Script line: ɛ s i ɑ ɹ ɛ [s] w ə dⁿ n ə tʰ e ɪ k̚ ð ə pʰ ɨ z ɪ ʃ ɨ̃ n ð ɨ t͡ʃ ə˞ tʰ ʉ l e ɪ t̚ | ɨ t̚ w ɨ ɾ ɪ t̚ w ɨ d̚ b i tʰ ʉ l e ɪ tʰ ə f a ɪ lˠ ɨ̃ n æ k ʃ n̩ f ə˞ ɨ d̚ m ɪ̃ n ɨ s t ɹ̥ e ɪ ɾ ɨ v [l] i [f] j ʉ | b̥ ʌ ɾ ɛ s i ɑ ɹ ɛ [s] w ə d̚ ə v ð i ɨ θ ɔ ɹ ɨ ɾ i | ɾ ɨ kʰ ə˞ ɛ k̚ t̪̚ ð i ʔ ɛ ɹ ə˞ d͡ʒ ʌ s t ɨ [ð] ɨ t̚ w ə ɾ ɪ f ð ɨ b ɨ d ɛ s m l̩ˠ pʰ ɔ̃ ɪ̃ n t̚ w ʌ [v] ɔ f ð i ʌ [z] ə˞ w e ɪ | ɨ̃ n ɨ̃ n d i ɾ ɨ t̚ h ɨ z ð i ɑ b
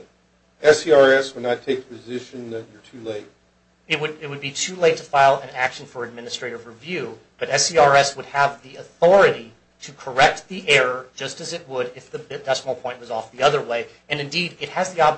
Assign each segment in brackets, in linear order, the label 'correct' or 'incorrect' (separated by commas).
correct, incorrect, incorrect, correct, incorrect, incorrect, incorrect